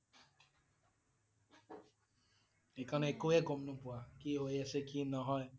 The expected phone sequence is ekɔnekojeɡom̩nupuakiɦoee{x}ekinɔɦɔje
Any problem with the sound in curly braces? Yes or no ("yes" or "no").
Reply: yes